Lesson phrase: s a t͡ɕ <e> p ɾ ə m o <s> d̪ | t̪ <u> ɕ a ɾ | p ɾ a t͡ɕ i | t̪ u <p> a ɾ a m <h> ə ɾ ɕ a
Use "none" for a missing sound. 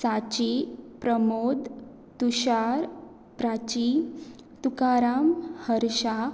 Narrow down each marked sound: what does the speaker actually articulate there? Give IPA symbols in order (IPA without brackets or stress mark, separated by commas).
i, none, u, k, h